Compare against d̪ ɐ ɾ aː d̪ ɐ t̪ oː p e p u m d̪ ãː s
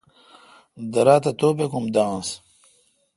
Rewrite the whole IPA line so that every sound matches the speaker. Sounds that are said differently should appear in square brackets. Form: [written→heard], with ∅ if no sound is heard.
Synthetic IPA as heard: d̪ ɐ ɾ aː [d̪→t̪] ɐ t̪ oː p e [p→k] u m d̪ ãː s